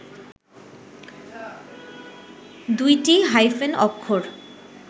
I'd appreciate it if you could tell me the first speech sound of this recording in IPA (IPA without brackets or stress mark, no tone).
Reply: d̪